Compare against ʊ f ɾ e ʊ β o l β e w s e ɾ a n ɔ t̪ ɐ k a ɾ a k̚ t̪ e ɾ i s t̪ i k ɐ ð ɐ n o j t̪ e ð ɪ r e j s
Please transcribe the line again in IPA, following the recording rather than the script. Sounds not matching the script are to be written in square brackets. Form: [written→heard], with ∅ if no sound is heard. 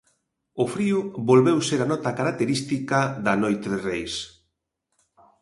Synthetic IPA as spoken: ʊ f ɾ [e→i] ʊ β o l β e w s e ɾ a n ɔ t̪ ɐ k a ɾ a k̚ t̪ e ɾ i s t̪ i k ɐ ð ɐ n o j t̪ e ð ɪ r e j s